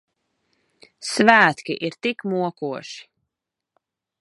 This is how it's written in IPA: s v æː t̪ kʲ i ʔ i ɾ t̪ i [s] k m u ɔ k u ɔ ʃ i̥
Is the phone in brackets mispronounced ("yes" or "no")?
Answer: yes